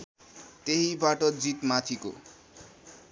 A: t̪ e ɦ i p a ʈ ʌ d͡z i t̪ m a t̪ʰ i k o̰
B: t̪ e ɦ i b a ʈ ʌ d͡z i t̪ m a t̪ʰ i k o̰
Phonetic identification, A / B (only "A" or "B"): B